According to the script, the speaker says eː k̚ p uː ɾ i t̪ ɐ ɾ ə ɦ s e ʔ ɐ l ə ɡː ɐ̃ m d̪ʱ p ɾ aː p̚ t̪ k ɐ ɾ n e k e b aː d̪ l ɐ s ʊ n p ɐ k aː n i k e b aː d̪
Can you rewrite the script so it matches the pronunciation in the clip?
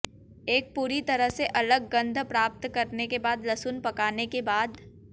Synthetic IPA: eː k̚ p uː ɾ i t̪ ɐ ɾ ə ɦ s e ʔ ɐ l ə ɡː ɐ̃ n d̪ʱ p ɾ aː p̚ t̪ k ɐ ɾ n e k e b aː d̪ l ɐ s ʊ n p ɐ k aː n e k e b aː d̪